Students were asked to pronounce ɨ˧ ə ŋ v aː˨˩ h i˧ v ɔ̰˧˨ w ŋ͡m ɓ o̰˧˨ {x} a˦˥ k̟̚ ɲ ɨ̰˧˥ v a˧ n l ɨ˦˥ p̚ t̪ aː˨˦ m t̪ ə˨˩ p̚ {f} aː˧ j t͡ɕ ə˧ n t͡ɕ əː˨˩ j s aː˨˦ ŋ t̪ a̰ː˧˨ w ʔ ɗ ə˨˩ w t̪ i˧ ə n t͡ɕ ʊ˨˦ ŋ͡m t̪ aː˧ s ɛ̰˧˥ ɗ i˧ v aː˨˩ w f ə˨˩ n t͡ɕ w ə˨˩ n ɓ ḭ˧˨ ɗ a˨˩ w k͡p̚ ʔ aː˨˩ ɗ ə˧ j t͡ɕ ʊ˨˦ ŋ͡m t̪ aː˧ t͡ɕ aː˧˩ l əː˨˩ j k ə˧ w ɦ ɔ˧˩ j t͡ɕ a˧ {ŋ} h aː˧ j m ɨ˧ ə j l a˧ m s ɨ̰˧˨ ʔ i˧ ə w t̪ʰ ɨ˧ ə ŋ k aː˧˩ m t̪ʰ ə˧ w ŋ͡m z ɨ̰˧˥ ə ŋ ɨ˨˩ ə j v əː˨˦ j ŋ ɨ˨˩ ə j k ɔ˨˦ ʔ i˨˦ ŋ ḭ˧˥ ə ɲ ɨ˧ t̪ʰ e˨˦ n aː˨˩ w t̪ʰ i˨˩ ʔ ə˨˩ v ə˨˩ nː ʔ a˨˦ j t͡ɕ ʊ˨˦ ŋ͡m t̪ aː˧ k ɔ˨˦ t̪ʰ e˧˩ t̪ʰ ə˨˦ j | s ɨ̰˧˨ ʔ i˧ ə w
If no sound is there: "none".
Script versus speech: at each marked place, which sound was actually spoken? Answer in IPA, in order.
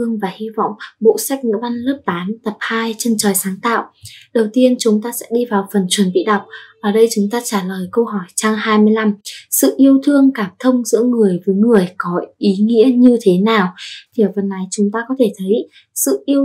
s, h, ŋ

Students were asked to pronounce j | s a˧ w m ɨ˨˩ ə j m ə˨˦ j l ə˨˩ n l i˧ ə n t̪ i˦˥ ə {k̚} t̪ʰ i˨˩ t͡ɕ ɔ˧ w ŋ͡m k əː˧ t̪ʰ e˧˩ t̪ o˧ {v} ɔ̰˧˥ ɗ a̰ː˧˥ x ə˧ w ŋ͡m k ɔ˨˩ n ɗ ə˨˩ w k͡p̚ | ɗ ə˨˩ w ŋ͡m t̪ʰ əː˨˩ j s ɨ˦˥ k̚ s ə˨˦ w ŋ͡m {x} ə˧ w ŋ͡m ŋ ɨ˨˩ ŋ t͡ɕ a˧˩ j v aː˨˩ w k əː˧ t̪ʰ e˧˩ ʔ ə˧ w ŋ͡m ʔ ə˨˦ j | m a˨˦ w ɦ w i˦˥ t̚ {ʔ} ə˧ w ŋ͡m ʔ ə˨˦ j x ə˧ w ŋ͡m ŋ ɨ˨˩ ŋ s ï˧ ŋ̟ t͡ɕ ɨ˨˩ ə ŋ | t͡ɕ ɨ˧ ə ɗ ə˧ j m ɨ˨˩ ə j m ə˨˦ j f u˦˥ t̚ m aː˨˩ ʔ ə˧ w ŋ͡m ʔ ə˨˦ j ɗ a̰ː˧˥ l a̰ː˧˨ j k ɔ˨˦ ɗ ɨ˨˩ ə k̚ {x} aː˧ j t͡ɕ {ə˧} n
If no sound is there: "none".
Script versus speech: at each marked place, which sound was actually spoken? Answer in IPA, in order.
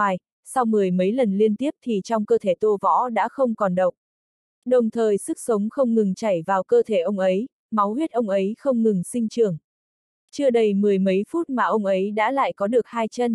p̚, v, x, ʔ, h, ə˧

